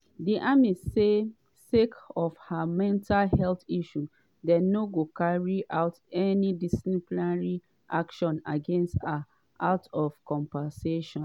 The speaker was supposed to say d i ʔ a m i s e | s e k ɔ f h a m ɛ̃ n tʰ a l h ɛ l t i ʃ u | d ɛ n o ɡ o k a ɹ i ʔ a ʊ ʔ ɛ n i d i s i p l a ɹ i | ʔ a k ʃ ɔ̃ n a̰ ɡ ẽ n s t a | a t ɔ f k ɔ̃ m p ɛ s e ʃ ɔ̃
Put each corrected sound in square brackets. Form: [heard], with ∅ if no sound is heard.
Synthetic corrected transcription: d i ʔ a m i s e | s e k ɔ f h a m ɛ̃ n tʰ a l h ɛ l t i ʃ u | d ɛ n o ɡ o k a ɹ i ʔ a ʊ [t] ɛ n i d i s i p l a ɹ i | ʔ a k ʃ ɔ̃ n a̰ ɡ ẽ n s t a | a t ɔ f k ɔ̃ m p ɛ s e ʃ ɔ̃